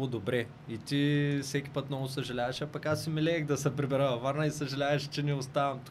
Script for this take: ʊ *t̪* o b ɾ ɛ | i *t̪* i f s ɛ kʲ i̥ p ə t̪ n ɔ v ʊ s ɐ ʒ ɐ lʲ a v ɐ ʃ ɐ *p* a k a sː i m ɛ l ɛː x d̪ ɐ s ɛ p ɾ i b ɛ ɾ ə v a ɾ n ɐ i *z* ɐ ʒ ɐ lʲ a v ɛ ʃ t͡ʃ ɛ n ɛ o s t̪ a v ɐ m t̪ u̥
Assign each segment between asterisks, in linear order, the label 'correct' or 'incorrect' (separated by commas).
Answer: incorrect, correct, correct, incorrect